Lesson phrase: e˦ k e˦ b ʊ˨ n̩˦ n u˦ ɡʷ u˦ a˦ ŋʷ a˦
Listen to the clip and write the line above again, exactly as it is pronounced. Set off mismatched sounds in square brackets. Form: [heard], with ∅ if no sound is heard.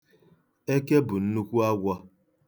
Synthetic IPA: e˦ k e˦ b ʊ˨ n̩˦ n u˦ [kʷ] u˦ a˦ [ɡʷ] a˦